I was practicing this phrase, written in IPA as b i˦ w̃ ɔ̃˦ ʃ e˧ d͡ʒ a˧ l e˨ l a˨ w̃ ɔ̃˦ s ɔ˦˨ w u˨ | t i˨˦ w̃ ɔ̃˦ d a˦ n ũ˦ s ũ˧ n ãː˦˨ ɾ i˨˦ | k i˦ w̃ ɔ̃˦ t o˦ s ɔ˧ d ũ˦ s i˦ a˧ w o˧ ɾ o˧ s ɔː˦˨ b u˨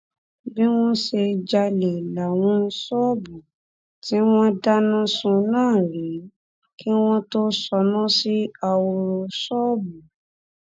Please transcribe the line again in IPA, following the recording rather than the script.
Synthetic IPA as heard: b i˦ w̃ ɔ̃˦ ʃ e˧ d͡ʒ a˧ l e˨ l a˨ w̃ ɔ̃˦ s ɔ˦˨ b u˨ | t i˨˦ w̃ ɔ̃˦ d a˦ n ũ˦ s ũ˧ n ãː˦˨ ɾ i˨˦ | k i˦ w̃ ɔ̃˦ t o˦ s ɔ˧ n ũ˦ s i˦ a˧ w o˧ ɾ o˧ s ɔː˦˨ b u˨